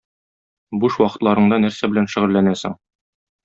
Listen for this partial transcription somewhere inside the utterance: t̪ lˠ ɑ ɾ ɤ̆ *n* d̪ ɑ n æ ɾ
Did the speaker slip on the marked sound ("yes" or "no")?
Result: yes